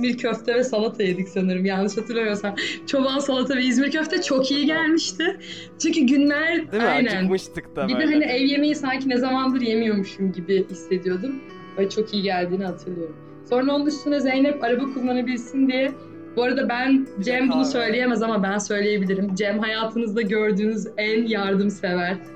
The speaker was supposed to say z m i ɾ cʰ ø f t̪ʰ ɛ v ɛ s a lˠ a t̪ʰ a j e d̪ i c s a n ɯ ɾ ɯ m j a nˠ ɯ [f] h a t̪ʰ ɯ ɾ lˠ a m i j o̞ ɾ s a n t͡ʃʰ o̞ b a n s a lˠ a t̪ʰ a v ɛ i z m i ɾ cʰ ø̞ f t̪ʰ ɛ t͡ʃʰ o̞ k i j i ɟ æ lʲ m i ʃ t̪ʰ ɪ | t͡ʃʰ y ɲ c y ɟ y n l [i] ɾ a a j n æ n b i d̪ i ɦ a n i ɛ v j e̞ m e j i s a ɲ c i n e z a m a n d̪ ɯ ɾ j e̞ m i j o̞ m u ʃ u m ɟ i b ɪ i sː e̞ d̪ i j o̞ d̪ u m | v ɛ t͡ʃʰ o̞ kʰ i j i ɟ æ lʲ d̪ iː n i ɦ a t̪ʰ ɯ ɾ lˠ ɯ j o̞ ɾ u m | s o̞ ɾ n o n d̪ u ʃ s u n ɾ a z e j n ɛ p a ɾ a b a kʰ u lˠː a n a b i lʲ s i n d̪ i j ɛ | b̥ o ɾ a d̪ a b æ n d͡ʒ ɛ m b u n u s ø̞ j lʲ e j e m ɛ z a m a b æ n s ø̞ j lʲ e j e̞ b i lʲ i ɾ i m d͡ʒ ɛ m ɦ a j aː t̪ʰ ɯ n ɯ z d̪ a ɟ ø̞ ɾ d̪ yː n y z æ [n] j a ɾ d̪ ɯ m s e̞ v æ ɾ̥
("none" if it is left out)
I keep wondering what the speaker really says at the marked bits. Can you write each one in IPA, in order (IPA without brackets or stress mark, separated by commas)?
ʃ, æ, n